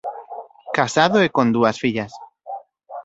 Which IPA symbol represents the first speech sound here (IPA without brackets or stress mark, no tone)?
k